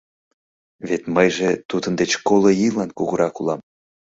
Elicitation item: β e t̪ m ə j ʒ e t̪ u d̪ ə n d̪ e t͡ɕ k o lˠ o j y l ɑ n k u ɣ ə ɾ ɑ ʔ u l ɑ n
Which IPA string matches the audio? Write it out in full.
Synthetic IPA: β e t̪ m ə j ʒ e t̪ u d̪ ə n d̪ e t͡ɕ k o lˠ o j i l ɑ n k u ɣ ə ɾ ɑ k u l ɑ m

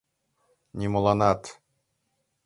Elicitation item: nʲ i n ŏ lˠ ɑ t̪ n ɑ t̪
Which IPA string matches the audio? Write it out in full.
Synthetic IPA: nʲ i m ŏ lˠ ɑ n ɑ t̪

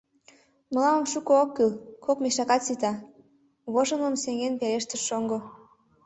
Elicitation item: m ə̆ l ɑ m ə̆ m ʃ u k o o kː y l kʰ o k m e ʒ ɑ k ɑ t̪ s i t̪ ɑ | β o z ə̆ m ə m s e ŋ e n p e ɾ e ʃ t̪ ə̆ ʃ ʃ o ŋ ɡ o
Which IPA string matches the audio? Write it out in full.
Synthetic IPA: m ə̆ l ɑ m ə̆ m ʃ u k o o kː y l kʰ o k m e ʃ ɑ k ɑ t̪ s i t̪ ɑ | β o ʒ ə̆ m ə m s e ŋ e n p e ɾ e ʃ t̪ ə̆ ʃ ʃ o ŋ ɡ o

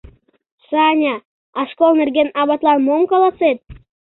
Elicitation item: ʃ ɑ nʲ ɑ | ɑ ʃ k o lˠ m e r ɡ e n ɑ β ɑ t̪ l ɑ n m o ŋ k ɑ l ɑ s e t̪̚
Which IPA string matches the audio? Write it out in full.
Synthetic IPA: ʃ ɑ nʲ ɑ | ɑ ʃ k o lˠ n e r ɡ e n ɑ β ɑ t̪ l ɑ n m o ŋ k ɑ l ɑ s e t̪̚

